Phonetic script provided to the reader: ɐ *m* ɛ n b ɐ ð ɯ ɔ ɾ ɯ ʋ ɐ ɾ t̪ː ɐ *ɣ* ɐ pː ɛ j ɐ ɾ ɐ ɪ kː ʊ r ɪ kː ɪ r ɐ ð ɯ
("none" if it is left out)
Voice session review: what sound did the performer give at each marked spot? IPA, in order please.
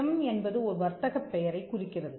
m, ɣ

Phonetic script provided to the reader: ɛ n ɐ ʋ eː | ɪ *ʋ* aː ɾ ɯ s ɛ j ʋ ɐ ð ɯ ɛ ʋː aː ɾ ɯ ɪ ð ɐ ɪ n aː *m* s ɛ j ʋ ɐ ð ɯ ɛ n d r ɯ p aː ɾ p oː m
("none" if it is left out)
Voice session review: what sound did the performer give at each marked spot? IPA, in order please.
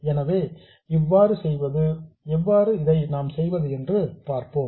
ʋː, m

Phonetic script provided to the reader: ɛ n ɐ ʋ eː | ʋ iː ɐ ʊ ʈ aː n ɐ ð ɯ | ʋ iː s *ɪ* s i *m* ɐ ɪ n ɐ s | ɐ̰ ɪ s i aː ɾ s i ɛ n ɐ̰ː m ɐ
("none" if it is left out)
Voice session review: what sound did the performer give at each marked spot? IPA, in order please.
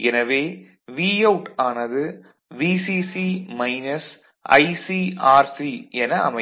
i, m

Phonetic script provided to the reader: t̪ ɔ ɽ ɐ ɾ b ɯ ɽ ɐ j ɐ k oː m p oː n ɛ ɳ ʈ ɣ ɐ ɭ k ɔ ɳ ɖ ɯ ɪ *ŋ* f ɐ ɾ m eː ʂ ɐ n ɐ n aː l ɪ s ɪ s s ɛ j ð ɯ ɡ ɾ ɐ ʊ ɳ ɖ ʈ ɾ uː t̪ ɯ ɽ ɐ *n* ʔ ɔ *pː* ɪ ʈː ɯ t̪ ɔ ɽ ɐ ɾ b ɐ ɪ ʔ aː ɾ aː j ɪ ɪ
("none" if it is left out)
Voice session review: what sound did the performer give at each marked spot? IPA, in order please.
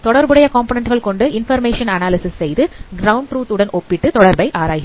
n, n, pː

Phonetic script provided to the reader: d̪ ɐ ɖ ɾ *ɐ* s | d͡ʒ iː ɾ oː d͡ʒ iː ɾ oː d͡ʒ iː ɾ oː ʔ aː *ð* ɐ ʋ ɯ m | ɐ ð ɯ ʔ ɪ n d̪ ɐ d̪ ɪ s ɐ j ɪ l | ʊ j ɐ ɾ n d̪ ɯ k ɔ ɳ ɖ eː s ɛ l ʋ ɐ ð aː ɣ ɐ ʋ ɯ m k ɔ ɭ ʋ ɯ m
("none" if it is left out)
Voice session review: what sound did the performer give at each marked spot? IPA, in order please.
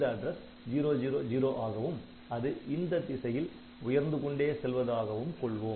ɐ, ɣ

